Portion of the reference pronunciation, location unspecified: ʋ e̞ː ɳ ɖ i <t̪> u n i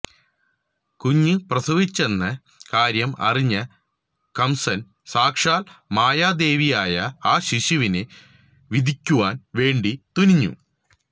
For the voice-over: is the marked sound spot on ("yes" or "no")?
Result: yes